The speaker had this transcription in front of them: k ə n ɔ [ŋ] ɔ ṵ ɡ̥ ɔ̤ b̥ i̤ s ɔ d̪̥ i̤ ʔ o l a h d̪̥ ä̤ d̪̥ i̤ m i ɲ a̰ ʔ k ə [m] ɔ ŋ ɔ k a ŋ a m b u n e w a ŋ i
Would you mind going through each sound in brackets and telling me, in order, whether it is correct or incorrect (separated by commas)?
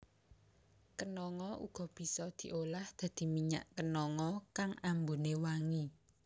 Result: correct, incorrect